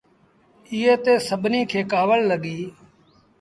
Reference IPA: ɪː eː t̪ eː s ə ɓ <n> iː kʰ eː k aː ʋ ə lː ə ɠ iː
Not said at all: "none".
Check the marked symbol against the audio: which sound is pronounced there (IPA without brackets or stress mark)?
n